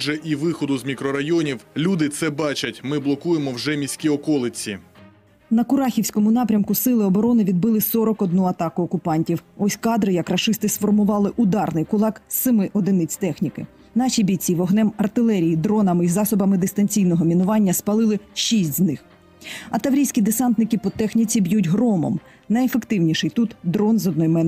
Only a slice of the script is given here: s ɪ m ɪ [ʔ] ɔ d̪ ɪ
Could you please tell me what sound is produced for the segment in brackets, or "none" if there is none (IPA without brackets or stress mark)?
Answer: ʔ